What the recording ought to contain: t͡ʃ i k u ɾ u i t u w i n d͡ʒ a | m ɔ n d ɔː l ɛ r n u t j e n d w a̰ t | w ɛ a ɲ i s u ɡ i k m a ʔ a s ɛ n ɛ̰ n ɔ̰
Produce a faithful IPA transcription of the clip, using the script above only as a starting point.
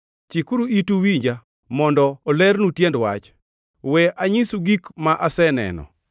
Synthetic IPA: t͡ʃ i k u ɾ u i t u w i ɲ d͡ʒ a | m ɔ n d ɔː l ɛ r n u t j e n d w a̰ t͡ʃ | w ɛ a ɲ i s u ɡ i k m a ʔ a s ɛ n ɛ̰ n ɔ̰